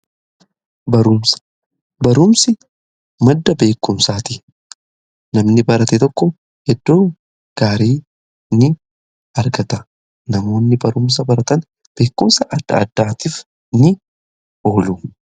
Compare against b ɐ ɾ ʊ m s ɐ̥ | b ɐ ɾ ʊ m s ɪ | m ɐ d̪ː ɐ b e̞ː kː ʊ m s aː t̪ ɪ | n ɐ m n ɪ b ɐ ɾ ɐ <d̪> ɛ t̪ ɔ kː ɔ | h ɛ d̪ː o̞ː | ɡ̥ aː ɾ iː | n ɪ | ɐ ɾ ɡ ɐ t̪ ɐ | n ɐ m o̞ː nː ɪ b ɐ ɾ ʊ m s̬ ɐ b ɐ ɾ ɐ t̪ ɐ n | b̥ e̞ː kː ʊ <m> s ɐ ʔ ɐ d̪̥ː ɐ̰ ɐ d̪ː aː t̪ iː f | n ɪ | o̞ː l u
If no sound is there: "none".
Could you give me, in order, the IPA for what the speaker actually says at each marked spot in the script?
t̪, m

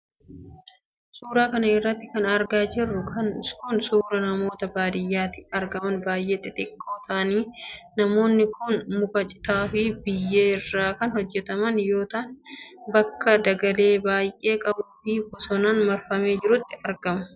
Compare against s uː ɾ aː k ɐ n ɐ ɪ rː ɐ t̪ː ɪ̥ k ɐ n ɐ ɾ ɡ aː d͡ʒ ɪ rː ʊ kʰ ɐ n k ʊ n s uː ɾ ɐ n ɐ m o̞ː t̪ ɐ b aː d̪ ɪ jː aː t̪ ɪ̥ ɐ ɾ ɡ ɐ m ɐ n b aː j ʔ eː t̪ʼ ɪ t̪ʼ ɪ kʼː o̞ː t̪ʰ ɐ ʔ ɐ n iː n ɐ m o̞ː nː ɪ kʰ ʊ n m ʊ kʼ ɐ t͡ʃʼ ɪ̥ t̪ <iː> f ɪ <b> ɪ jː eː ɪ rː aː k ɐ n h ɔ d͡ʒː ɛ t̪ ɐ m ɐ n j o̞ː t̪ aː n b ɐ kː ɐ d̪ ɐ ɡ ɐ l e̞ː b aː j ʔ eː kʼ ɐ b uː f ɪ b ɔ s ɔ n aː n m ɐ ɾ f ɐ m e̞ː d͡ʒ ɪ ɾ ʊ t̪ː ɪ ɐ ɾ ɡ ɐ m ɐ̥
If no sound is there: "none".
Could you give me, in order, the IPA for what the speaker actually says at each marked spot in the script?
aː, b

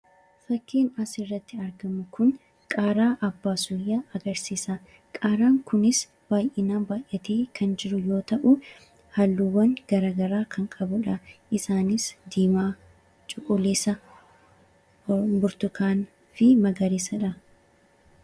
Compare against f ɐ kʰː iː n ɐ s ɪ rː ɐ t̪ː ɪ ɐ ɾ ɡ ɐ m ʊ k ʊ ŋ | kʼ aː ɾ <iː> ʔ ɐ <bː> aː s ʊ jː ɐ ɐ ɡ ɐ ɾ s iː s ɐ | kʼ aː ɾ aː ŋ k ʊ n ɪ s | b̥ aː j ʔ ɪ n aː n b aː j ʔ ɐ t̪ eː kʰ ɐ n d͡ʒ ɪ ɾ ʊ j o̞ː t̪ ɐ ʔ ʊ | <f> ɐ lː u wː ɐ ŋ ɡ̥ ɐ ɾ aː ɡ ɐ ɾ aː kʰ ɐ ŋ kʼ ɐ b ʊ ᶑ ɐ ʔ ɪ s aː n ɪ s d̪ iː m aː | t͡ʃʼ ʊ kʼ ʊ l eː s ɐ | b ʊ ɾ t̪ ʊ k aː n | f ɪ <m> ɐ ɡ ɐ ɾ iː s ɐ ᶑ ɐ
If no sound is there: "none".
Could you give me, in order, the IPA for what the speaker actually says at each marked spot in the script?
aː, bː, h, m

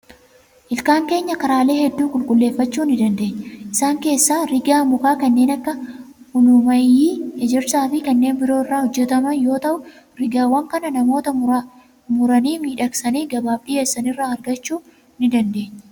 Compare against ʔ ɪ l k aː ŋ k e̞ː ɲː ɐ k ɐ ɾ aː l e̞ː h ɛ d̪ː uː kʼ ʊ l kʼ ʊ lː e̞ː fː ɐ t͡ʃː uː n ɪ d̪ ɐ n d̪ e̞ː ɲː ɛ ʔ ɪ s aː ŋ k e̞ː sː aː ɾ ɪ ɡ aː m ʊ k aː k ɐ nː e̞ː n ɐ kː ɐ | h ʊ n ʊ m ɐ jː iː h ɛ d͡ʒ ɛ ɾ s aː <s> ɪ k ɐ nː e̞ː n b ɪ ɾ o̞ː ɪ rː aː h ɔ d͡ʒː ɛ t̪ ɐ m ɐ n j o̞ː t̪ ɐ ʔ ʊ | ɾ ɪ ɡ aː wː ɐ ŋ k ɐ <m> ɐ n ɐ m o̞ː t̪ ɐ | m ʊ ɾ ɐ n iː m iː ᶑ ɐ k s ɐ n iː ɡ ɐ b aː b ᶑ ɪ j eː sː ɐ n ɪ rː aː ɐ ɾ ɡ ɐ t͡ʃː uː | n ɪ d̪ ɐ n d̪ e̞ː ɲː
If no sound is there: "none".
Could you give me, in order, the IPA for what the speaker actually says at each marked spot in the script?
f, n

